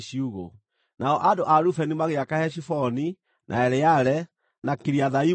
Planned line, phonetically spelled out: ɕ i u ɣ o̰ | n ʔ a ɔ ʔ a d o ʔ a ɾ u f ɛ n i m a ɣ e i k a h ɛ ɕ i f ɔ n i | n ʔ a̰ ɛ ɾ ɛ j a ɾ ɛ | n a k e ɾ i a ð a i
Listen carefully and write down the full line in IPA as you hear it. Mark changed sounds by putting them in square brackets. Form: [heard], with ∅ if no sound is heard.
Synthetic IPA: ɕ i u ɣ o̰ | n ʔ a ɔ ʔ a d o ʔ a ɾ u f ɛ n i m a ɣ e [a] k a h ɛ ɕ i f ɔ n i | n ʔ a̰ ɛ ɾ ɛ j a ɾ ɛ | n a k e ɾ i a ð a i